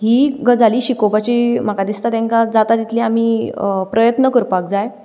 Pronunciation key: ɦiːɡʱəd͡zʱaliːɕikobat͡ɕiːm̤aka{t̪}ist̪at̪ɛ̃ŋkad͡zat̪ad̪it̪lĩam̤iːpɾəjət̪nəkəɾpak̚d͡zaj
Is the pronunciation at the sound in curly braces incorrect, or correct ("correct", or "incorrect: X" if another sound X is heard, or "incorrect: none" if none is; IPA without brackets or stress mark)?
incorrect: d̪